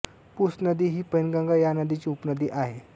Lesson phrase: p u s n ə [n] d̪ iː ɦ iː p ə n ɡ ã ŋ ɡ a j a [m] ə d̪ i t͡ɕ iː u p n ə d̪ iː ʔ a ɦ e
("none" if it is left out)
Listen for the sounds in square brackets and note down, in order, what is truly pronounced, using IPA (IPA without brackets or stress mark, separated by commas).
none, n